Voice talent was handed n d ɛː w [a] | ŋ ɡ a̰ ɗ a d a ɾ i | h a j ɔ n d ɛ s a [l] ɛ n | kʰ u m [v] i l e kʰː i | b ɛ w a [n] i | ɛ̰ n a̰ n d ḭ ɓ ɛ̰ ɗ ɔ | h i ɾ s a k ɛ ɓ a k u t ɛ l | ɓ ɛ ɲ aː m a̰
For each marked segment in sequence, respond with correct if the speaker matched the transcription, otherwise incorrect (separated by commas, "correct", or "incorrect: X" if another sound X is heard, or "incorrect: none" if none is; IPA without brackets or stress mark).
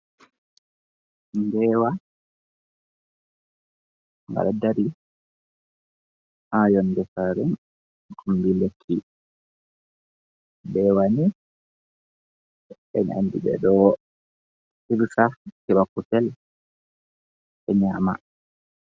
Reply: correct, incorrect: ɾ, incorrect: b, correct